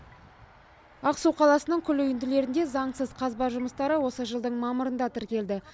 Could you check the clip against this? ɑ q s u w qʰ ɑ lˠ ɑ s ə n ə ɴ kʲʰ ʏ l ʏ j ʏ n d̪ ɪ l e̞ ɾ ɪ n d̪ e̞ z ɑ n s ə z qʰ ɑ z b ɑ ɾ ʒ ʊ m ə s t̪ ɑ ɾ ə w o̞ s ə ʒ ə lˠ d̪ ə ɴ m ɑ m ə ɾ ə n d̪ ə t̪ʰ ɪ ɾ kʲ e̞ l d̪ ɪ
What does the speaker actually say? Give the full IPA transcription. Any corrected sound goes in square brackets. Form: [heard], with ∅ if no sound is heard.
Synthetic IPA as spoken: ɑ q s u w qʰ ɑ lˠ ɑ s ə n ə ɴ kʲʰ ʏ l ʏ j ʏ n d̪ ɪ l e̞ ɾ ɪ n d̪ e̞ z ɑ [ɴ] s ə z qʰ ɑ z b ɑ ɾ ʒ ʊ m ə s t̪ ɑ ɾ ə w o̞ s ə ʒ ə lˠ d̪ ə ɴ m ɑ m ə ɾ ə n d̪ [ɑ] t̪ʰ ɪ ɾ kʲ e̞ l d̪ ɪ